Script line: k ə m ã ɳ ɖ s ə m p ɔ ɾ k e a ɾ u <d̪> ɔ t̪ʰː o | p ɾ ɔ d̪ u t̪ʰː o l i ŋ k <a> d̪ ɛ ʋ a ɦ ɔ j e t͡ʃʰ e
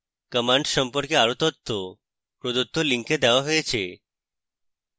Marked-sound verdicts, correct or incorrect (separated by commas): incorrect, incorrect